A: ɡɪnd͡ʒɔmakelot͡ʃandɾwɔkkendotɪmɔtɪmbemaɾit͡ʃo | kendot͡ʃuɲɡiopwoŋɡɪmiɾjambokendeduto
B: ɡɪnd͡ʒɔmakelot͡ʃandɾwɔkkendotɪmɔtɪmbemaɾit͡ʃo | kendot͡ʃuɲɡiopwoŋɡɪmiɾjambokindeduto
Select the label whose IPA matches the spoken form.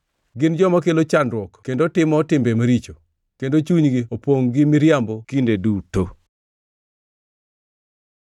B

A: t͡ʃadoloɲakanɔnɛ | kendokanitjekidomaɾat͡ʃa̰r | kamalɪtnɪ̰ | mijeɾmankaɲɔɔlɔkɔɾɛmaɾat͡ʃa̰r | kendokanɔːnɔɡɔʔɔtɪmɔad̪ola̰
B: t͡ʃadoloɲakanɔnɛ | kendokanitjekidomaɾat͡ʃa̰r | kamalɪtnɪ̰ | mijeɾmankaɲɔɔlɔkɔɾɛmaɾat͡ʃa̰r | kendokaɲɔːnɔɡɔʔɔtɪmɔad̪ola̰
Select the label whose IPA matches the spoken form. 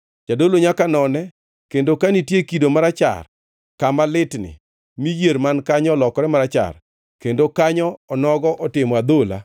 B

